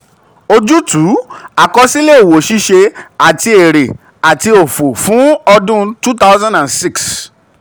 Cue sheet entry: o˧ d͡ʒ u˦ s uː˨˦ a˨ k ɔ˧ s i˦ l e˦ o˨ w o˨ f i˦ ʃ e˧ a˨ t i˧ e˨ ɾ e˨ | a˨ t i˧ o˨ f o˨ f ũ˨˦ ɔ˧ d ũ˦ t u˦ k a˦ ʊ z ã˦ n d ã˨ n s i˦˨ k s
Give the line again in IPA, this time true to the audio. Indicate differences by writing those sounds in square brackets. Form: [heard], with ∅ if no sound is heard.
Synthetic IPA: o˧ d͡ʒ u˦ [t] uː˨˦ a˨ k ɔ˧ s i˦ l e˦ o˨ w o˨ [ʃ] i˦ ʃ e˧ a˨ t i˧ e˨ ɾ e˨ | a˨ t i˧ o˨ f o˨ f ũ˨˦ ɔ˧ d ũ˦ t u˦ [t] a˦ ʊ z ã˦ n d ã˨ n s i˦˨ k s